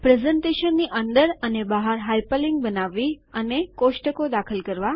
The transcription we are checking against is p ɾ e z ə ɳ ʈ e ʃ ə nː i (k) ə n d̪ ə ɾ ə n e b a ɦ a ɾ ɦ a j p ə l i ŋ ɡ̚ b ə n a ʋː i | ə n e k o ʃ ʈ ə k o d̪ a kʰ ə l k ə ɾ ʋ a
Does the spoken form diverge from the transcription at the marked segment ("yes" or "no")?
yes